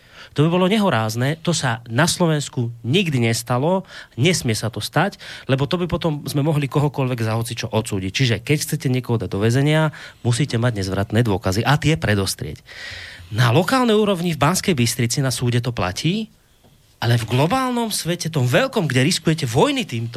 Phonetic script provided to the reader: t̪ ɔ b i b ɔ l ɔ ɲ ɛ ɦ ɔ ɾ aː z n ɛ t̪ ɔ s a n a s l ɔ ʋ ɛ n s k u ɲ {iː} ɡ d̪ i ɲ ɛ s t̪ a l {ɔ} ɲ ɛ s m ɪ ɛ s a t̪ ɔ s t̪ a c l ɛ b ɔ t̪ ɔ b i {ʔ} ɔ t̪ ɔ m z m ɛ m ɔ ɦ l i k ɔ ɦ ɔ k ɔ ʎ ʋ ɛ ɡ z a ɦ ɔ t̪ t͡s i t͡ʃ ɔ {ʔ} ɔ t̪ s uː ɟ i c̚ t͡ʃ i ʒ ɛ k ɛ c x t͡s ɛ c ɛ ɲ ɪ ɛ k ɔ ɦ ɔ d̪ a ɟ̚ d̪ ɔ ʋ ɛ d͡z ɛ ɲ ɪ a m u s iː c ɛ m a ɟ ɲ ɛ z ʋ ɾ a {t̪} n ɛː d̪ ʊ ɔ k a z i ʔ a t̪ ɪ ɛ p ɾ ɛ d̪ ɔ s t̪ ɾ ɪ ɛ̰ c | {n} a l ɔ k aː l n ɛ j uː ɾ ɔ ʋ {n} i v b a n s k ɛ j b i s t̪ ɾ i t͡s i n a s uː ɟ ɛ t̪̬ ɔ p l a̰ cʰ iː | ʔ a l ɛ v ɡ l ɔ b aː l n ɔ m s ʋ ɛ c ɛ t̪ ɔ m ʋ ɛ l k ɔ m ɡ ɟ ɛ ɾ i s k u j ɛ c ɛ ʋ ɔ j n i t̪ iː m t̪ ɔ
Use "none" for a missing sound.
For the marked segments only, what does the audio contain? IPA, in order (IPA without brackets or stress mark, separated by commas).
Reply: i, ɔ, p, ʔ, t̪, n, ɲ